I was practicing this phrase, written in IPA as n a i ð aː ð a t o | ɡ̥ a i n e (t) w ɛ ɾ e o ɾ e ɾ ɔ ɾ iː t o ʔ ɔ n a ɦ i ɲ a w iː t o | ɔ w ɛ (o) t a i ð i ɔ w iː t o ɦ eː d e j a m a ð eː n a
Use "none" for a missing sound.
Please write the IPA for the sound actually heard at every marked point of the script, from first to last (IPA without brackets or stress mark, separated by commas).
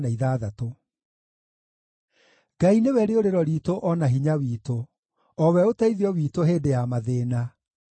none, o